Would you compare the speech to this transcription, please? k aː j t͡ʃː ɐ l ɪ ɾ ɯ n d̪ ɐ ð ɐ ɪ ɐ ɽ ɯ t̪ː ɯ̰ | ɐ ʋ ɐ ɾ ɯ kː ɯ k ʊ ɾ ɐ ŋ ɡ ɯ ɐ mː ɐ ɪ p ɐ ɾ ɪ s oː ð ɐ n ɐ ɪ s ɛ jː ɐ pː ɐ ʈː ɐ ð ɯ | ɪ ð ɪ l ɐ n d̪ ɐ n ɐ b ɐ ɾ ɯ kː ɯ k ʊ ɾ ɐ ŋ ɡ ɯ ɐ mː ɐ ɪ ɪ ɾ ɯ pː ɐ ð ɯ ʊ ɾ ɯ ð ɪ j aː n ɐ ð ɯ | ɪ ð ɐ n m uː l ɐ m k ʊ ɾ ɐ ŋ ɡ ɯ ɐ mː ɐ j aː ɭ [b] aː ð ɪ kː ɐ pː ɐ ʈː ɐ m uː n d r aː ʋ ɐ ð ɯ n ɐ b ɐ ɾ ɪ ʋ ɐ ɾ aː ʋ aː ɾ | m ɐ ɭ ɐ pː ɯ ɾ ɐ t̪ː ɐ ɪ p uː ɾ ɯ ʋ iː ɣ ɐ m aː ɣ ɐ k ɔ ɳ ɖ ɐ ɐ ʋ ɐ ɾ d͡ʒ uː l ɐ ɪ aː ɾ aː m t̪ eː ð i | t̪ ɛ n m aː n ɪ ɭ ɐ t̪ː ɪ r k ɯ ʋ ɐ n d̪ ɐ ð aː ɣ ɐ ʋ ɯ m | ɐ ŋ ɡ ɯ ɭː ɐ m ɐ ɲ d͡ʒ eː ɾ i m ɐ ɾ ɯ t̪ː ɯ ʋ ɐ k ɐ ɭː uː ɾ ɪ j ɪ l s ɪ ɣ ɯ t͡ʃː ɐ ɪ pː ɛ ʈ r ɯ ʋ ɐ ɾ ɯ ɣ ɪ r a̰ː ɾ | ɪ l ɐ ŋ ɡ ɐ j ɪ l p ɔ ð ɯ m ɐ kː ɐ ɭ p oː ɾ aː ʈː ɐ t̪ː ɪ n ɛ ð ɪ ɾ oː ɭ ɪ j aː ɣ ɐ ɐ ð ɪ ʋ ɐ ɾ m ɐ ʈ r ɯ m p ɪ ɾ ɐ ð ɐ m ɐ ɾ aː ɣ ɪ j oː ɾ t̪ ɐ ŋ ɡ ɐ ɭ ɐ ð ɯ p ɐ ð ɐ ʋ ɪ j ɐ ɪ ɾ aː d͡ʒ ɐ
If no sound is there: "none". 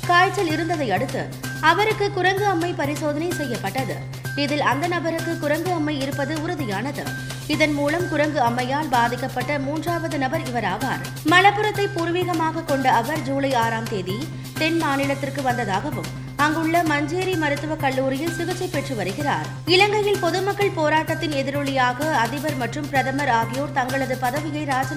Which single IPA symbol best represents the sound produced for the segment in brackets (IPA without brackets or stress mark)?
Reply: b